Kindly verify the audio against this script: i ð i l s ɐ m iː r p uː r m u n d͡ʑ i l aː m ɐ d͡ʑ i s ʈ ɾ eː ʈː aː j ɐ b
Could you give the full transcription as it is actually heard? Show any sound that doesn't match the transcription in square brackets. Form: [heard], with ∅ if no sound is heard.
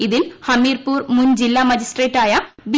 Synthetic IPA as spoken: i ð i l [h] ɐ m iː r p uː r m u n d͡ʑ i [lː] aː m ɐ d͡ʑ i s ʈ [r] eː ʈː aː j ɐ b

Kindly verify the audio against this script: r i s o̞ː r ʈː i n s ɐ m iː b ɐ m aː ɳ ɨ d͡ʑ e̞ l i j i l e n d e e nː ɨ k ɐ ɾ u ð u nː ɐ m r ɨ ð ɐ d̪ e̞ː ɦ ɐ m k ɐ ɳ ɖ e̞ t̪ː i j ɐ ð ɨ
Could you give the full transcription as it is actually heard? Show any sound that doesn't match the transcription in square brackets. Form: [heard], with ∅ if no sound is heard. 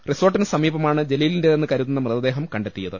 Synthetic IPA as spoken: r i s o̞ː r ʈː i n s ɐ m iː b ɐ m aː ɳ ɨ d͡ʑ e̞ l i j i l [i] n d e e nː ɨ k ɐ ɾ u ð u nː ɐ m r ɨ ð ɐ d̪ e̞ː ɦ ɐ m k ɐ ɳ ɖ e̞ t̪ː i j ɐ ð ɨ

